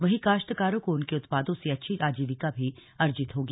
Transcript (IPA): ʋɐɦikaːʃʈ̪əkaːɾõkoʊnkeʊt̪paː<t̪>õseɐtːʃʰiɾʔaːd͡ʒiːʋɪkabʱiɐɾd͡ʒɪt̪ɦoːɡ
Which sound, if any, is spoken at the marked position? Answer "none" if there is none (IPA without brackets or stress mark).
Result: d̪